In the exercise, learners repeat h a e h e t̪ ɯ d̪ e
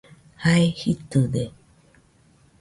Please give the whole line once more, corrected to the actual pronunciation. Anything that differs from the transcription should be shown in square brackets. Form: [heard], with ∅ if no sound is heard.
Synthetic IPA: h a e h [i] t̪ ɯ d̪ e